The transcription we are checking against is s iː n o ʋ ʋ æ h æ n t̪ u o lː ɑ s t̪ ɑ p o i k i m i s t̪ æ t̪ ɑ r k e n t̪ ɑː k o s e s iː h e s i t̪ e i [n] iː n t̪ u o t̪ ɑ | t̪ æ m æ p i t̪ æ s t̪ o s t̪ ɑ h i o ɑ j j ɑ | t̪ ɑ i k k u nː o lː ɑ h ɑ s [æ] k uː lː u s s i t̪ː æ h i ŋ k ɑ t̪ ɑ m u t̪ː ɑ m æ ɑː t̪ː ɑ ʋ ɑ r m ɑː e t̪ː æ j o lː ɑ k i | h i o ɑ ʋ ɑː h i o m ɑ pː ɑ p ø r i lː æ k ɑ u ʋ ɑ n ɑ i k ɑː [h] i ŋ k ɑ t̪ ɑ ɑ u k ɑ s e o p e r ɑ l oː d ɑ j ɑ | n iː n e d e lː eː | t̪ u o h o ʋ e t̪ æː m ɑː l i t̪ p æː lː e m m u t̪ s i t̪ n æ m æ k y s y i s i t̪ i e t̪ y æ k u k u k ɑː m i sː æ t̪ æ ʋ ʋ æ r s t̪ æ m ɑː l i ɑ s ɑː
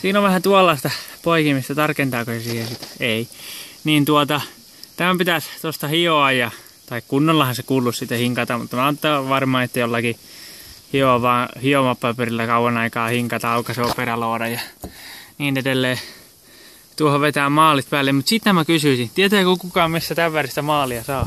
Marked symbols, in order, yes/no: yes, no, yes

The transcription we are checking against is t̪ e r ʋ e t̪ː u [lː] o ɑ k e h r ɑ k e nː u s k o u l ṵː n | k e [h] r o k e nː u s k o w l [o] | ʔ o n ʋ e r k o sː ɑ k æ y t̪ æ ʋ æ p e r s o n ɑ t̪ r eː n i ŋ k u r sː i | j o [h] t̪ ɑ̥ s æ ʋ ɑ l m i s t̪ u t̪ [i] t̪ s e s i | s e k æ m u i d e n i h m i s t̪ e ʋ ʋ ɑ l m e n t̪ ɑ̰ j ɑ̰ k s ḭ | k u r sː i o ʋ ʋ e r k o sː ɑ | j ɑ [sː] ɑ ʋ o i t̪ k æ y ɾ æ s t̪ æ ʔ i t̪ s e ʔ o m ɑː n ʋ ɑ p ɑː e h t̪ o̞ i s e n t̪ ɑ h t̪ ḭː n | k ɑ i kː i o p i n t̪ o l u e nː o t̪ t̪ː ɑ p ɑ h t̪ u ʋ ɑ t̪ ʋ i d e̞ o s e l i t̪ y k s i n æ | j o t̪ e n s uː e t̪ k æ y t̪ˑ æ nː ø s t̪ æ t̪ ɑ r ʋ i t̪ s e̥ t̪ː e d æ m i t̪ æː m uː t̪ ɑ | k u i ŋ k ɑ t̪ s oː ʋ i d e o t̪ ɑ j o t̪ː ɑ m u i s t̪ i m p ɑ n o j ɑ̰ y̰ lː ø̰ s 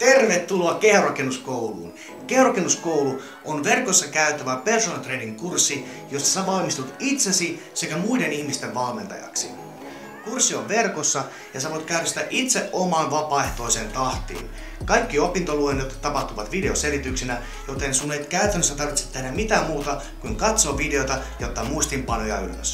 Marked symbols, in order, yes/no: no, yes, no, no, yes, no

